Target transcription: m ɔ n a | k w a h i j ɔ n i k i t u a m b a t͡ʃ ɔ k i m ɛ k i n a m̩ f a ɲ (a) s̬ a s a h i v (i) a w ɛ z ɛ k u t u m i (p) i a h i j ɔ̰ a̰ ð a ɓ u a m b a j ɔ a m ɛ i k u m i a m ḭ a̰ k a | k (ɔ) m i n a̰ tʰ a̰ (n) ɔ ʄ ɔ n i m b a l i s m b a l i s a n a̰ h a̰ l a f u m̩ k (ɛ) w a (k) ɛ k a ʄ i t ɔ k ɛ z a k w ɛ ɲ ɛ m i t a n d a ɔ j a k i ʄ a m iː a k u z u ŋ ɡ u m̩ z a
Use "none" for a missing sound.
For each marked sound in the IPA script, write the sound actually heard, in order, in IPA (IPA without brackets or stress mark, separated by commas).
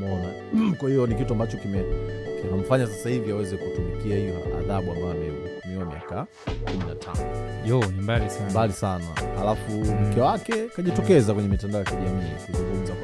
a, i, k, u, n, ɛ, k